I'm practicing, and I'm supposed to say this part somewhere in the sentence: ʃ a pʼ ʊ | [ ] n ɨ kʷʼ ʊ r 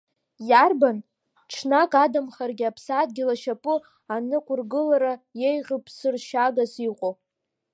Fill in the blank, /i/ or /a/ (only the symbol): a